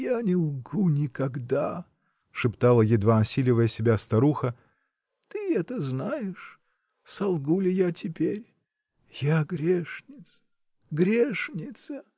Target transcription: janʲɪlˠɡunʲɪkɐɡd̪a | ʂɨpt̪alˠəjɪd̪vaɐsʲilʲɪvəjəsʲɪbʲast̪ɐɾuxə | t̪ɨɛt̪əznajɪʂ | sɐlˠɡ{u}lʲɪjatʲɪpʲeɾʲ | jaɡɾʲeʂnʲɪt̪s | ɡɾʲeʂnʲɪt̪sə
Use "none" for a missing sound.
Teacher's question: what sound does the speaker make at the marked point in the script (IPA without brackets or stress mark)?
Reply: u